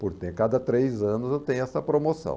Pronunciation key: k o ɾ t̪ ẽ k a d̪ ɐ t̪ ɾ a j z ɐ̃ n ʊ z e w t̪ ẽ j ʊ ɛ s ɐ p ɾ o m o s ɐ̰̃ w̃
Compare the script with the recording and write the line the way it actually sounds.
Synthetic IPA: p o ɾ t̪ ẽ k a d̪ ɐ t̪ ɾ e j z ɐ̃ n ʊ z e w t̪ ẽ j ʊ ɛ s ɐ p ɾ o m o s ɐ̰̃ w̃